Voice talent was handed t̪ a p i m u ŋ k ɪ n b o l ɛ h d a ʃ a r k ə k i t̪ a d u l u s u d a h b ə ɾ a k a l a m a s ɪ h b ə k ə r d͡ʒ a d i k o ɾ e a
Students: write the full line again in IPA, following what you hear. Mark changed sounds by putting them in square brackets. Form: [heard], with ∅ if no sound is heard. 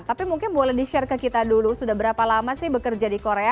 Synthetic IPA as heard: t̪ a p i m u ŋ k ɪ n b o l ɛ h d [i] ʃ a r k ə k i t̪ a d u l u s u d a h b ə ɾ a [p] a l a m a s ɪ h b ə k ə r d͡ʒ a d i k o ɾ e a